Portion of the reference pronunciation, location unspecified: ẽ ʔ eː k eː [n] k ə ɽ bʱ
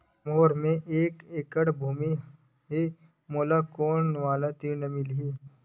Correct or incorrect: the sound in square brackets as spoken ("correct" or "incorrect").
incorrect